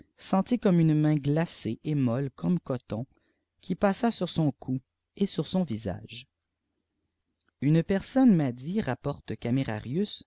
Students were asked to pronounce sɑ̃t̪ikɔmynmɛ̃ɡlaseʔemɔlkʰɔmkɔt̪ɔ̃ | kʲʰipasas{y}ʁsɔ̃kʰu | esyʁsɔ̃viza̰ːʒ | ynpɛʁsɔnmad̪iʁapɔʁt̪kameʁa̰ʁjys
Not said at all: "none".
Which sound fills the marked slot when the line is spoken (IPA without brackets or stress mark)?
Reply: y